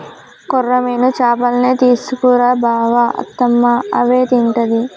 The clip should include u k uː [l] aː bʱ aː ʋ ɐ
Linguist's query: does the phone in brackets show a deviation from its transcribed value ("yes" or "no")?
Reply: yes